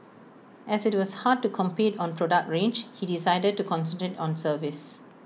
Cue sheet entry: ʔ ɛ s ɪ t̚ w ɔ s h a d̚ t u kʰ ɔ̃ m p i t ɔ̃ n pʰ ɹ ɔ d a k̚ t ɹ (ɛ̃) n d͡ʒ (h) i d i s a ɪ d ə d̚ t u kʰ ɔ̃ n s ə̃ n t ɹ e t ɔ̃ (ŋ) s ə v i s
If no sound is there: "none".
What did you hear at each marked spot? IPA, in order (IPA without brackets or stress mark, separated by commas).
ẽ, h, n